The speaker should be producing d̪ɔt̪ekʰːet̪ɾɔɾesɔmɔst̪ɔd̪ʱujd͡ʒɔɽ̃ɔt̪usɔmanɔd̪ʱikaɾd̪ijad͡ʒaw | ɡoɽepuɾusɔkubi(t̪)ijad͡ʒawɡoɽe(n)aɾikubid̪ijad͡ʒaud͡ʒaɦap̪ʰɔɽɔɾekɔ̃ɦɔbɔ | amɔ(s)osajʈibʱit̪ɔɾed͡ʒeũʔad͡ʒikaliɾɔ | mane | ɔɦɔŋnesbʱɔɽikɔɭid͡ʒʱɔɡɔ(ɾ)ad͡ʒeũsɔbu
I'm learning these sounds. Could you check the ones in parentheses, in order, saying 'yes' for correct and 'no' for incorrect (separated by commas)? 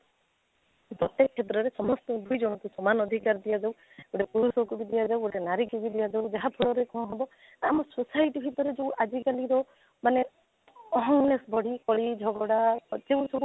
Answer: no, yes, yes, no